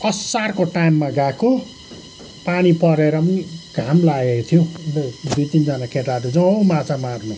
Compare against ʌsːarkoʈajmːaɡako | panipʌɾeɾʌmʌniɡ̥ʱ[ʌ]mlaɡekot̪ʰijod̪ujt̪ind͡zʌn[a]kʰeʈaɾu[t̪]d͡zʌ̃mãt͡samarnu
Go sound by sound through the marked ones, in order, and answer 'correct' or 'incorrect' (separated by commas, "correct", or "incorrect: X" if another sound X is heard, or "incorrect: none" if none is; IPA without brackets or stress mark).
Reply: incorrect: a, correct, incorrect: none